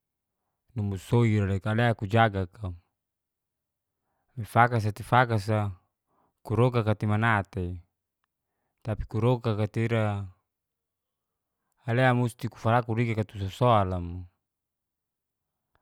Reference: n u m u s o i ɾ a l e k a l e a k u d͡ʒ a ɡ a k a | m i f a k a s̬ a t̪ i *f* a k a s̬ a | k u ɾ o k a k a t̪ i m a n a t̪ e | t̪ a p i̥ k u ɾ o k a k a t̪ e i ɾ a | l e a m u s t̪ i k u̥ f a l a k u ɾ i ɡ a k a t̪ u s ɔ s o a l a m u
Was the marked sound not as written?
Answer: no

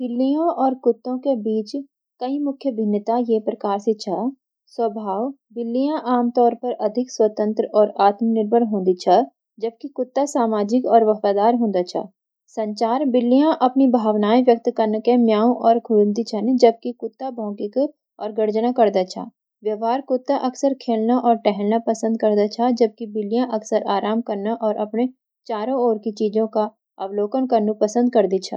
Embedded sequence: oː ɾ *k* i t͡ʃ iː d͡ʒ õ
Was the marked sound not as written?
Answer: no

